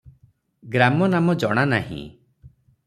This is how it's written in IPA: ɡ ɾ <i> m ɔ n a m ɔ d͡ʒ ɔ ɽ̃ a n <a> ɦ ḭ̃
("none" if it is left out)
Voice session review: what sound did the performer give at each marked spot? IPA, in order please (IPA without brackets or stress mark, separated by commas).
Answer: a, a